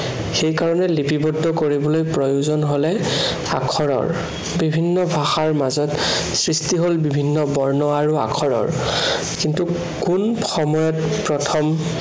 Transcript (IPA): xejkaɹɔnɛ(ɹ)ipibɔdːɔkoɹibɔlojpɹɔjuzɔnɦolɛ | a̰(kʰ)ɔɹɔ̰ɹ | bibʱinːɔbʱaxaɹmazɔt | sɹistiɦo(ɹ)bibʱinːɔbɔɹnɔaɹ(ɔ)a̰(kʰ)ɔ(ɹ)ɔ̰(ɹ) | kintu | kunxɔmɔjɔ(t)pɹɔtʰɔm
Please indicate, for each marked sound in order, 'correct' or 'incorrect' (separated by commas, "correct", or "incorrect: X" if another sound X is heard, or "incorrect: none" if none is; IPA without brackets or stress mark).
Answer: incorrect: l, correct, incorrect: l, incorrect: u, correct, correct, correct, correct